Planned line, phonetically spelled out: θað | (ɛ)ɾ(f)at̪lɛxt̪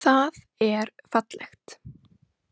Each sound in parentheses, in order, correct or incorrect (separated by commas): correct, correct